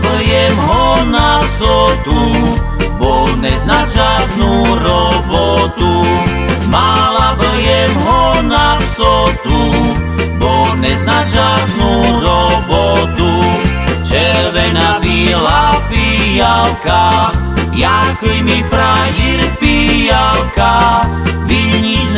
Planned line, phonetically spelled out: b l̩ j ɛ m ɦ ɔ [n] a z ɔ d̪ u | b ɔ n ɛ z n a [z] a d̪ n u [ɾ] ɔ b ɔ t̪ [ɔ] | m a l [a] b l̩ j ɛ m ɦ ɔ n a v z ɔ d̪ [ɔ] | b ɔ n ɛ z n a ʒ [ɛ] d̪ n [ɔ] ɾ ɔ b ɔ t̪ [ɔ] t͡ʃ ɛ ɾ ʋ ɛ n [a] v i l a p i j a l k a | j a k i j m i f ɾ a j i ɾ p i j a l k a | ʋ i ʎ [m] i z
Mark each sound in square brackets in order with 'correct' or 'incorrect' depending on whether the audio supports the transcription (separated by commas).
correct, incorrect, correct, incorrect, correct, incorrect, incorrect, incorrect, incorrect, correct, incorrect